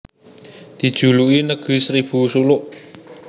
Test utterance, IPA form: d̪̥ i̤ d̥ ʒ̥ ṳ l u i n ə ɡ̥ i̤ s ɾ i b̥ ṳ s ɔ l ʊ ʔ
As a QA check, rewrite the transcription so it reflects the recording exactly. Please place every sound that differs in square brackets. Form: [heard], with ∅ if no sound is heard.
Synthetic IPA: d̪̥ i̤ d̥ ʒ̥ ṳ l u i n ə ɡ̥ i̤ s ɾ i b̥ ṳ s [u] l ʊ ʔ